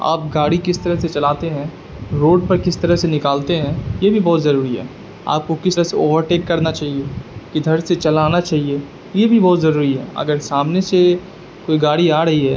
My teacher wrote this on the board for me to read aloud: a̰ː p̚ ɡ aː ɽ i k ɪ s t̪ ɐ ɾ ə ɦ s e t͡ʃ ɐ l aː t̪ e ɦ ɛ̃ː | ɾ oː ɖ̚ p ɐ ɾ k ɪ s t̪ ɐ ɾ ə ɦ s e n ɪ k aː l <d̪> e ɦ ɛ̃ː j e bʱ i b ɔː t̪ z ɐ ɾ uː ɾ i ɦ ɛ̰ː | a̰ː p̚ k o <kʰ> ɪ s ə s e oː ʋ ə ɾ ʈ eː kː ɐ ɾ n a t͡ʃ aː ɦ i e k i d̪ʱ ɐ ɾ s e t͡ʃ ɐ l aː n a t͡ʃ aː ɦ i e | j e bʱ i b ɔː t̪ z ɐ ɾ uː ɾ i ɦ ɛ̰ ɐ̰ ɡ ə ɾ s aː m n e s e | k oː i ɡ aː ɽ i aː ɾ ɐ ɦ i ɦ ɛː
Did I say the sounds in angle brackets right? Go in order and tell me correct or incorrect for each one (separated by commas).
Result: incorrect, incorrect